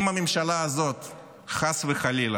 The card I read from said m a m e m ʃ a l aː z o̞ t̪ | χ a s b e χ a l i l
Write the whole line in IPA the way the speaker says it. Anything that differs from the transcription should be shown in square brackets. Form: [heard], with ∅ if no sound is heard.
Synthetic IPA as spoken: m a m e m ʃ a l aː z o̞ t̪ | χ a s [v] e χ a l i l

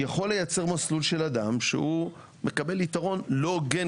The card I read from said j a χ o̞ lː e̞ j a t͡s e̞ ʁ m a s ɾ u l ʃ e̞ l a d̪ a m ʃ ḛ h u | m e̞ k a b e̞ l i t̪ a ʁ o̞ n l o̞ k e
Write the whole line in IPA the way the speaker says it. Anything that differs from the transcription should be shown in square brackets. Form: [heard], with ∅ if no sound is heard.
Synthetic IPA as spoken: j a χ o̞ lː e̞ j a t͡s e̞ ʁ m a s [l] u l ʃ e̞ l a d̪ a m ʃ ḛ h u | m e̞ k a b e̞ l i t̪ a ʁ o̞ n l o̞ [ɡ] e

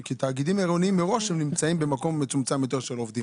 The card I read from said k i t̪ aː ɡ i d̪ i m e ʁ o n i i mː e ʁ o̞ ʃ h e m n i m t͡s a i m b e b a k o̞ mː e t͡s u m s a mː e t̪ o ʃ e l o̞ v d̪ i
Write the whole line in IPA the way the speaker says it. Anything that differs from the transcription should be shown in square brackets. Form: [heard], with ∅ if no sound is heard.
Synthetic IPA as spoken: k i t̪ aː ɡ i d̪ i m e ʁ o n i i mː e ʁ o̞ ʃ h e m n i m t͡s a i m b e [m] a k o̞ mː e t͡s u m [t͡s] a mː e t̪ o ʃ e l o̞ v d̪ i

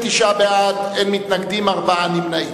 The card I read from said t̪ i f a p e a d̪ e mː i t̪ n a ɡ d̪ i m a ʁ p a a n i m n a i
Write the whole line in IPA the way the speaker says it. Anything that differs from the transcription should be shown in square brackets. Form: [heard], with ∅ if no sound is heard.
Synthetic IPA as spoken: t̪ i [ʃ] a [b] e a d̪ e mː i t̪ n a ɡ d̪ i m a ʁ [b] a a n i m n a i

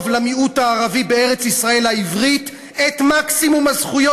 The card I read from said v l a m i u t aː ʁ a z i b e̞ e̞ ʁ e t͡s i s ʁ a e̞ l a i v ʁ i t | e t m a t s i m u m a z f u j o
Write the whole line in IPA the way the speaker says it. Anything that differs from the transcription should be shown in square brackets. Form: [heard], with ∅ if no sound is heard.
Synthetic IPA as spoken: v l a m i u t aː ʁ a [v] i b e̞ e̞ ʁ e t͡s i s ʁ a e̞ l a i v ʁ i t | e t m a [k] s i m u m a z [χ] u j o

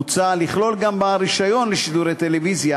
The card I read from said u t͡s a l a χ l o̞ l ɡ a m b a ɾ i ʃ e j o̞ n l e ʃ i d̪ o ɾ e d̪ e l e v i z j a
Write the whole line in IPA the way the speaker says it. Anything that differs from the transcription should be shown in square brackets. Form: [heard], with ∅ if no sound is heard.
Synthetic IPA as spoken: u t͡s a l [i] χ l o̞ l ɡ a m b a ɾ i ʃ [a] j o̞ n l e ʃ i d̪ [u] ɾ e [t̪] e l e v i z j a

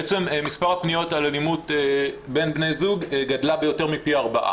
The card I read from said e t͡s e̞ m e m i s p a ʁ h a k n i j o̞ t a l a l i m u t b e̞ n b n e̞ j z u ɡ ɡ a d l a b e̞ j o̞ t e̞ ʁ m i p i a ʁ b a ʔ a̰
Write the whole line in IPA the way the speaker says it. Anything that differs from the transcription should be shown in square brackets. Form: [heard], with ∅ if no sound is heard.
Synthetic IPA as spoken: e t͡s e̞ m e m i s p a ʁ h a [p] n i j o̞ t a l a l i m u t b e̞ n b n e̞ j z u ɡ ɡ a d l a b e̞ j o̞ t e̞ ʁ m i p i a ʁ b a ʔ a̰

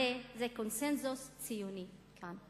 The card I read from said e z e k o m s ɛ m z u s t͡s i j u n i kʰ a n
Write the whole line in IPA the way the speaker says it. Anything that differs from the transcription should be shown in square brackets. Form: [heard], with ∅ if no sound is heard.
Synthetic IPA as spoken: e z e k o [n] s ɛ [n] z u s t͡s i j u n i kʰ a n

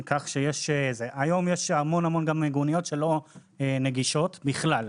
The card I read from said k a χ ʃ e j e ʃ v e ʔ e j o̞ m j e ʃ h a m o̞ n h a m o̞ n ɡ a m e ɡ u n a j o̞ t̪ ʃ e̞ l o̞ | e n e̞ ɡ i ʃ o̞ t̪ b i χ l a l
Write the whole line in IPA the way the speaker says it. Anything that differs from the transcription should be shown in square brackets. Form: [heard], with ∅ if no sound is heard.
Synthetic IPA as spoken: k a χ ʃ e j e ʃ [z] e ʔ [a] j o̞ m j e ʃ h a m o̞ n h a m o̞ n ɡ a m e ɡ u n [i] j o̞ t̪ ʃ e̞ l o̞ | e n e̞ ɡ i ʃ o̞ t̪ b i χ l a l

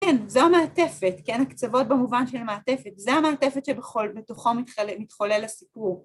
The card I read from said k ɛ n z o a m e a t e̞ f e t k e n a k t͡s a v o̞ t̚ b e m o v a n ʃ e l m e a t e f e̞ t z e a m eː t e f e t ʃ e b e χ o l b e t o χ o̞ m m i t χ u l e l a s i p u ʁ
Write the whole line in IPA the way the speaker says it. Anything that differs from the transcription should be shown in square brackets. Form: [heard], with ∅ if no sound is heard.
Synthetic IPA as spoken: k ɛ n z o a m e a t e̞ f e t k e n a k t͡s a v o̞ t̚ b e m [u] v a n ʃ e l m e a t e f e̞ t z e a m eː t e f e t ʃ e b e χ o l b e t o χ o̞ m m i t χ [o] l e l a s i p u ʁ

